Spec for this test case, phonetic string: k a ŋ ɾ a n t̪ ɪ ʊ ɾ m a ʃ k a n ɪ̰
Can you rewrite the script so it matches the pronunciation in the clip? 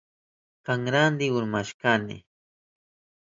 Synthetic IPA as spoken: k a ŋ ɾ a n d̪ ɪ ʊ ɾ m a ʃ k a n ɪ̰